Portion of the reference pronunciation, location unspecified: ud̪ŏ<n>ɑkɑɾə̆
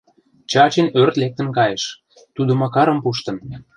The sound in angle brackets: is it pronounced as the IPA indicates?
no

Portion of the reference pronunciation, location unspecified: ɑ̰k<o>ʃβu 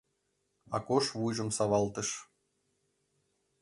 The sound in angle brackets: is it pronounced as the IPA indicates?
yes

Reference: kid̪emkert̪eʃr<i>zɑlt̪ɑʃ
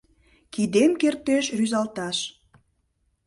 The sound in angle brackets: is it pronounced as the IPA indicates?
no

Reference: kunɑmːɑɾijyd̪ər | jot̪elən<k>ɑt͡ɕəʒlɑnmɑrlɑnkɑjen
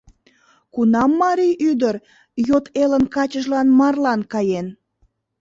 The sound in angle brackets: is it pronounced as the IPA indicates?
yes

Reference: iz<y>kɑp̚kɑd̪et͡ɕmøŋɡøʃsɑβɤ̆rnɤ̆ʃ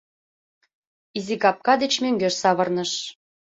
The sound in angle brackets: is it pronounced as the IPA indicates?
no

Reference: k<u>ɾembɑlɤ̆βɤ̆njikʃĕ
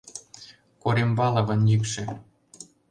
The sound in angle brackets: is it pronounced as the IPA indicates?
no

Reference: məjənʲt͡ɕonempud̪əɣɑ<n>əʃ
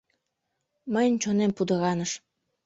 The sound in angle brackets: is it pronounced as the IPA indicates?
yes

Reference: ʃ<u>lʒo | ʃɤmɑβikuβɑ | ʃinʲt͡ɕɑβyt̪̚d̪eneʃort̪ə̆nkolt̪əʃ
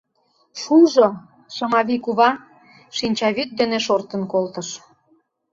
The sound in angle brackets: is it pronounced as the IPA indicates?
yes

